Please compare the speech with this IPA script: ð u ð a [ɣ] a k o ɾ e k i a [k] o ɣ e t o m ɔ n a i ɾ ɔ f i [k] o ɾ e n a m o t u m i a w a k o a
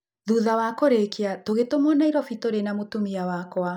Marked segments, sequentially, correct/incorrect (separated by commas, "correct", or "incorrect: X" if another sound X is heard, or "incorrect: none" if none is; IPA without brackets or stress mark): incorrect: w, incorrect: t, incorrect: t